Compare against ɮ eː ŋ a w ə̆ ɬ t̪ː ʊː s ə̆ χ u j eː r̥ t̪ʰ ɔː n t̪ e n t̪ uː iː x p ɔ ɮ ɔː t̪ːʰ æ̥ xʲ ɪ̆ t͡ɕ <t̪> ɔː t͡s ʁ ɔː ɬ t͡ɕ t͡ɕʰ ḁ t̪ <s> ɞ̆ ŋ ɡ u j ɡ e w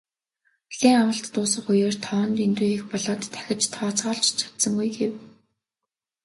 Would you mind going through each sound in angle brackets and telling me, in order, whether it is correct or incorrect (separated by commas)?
incorrect, correct